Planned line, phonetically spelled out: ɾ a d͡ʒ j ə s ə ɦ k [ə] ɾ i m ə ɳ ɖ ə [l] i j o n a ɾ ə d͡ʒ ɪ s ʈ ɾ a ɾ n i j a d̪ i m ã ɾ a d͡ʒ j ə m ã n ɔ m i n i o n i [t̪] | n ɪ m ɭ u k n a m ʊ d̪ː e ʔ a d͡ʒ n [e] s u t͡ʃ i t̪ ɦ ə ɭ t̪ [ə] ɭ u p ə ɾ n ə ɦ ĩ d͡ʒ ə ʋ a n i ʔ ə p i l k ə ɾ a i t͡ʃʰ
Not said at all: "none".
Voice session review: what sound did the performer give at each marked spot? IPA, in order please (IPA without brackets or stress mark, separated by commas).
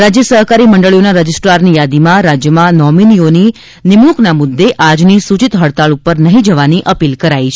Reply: a, ɭ, none, i, a